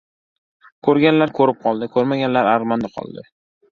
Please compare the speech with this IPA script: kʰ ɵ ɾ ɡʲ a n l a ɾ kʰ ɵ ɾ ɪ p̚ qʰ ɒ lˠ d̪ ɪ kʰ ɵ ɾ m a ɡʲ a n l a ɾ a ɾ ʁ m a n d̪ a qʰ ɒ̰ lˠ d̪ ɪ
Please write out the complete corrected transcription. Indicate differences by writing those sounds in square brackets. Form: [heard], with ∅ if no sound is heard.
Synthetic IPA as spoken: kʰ ɵ ɾ ɡʲ a n l a ɾ kʰ ɵ ɾ ɪ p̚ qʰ ɒ lˠ d̪ ɪ kʰ ɵ ɾ m a ɡʲ a n l a ɾ a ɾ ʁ m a n d̪ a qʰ ɒ̰ lˠ d̪ ɪ